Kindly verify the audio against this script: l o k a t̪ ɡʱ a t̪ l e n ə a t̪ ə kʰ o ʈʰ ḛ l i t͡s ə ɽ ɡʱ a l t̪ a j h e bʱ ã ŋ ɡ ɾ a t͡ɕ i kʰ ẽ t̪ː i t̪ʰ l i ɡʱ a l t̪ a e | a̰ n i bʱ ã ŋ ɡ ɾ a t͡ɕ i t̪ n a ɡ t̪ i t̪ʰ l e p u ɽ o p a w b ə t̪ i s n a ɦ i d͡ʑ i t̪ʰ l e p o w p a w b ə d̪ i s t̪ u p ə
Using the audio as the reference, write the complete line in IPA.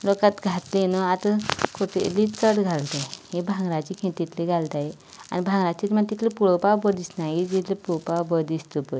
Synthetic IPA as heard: l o k a t̪ ɡʱ a t̪ l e n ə a t̪ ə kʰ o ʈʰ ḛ l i t͡s ə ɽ ɡʱ a l t̪ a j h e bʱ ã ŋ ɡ ɾ a t͡ɕ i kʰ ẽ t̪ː i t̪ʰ l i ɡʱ a l t̪ a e | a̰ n i bʱ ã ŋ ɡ ɾ a t͡ɕ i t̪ m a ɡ t̪ i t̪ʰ l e p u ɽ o p a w b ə d̪ i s n a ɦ i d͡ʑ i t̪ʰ l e p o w p a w b ə d̪ i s t̪ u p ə